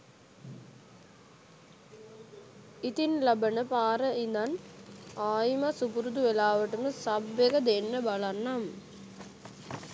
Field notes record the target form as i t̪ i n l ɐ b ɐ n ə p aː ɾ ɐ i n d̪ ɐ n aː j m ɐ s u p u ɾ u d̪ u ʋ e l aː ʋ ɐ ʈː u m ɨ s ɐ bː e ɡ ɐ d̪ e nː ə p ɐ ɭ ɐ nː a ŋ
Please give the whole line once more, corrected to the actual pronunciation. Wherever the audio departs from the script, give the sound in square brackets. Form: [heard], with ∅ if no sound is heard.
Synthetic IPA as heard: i t̪ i n l ɐ b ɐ n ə p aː ɾ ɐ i n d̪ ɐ n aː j m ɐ s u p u ɾ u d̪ u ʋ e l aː ʋ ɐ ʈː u m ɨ s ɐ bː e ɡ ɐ d̪ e nː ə [b] ɐ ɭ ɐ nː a [m]